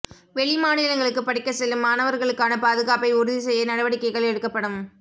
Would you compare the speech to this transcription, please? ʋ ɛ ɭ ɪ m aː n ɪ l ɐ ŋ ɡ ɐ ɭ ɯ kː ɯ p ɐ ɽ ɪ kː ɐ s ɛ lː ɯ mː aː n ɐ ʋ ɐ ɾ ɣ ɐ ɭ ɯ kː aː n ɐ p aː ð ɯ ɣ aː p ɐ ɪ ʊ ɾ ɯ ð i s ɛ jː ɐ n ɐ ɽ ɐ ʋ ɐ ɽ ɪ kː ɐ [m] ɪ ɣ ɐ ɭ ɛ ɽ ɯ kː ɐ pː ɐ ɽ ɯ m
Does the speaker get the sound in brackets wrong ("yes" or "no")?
yes